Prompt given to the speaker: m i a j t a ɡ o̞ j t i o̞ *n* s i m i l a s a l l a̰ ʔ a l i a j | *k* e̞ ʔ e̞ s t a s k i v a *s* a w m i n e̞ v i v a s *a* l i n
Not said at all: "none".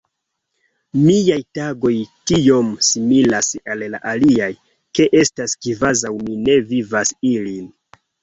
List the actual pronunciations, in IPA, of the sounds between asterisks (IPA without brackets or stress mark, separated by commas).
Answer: m, k, z, i